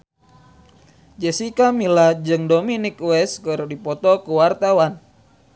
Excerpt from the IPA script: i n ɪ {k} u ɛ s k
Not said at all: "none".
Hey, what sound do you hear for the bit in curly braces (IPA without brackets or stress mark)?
k